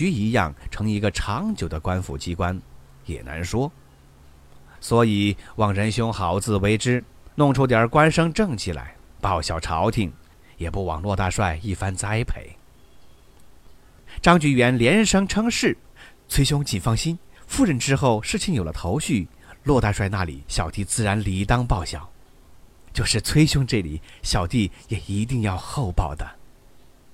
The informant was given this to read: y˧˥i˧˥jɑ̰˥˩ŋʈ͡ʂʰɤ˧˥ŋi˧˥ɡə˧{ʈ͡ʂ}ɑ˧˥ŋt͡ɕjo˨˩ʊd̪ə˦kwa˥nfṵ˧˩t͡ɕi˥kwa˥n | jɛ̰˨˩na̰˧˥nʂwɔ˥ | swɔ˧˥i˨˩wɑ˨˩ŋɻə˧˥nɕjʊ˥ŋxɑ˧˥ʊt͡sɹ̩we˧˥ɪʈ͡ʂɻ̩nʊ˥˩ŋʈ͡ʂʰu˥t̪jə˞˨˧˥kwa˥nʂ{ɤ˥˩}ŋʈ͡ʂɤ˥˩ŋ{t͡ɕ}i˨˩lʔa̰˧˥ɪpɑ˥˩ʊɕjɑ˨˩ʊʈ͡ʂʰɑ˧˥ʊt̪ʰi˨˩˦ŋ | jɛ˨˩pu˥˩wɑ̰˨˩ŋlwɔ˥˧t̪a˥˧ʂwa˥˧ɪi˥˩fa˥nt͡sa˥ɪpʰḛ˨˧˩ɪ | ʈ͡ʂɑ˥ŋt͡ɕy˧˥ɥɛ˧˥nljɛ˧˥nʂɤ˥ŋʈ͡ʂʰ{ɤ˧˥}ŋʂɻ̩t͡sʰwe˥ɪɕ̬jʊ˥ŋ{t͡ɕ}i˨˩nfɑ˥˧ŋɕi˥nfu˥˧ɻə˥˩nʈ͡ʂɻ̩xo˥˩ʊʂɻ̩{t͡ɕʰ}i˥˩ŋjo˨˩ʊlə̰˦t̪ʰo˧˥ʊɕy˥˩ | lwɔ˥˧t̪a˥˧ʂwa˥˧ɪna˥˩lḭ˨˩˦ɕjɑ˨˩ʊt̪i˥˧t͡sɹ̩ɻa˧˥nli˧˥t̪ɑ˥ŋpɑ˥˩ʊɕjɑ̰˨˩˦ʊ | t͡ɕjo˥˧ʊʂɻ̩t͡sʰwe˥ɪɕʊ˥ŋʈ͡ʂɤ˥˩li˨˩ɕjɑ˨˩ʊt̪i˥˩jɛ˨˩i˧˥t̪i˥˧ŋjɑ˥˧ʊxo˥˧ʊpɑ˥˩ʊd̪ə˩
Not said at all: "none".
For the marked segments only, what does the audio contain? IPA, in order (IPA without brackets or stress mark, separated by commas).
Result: ʈ͡ʂʰ, ɤ˥, t͡ɕʰ, ɤ˥, t͡ɕ, t͡ɕʰ